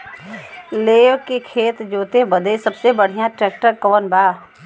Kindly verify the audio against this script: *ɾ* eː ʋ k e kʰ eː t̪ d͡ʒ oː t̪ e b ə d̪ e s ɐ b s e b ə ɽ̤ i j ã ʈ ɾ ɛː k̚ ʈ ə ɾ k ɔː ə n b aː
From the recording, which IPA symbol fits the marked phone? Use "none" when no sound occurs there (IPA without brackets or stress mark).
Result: l